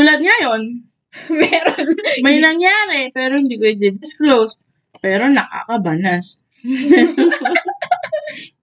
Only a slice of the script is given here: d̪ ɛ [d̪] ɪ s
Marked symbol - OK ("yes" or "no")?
yes